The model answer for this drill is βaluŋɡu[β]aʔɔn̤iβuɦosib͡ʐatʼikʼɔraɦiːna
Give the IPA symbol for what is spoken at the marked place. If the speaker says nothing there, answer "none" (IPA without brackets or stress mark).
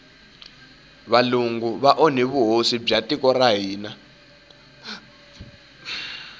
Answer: β